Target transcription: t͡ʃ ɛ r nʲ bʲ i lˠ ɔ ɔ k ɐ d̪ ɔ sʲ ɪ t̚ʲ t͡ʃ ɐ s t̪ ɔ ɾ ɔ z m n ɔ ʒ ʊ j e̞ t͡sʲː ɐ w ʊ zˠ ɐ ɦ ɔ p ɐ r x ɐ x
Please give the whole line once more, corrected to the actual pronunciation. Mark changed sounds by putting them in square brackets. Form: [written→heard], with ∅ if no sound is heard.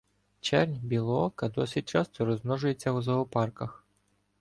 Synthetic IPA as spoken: t͡ʃ ɛ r nʲ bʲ i lˠ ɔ ɔ k ɐ d̪ ɔ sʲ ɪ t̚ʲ t͡ʃ [ɐ→ɑ] s t̪ ɔ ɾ ɔ z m n ɔ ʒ ʊ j e̞ t͡sʲː ɐ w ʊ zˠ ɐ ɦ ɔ p [ɐ→ɑ] r [x→k] ɐ x